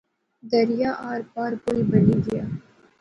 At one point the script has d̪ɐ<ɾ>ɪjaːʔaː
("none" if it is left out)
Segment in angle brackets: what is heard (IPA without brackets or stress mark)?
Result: ɾ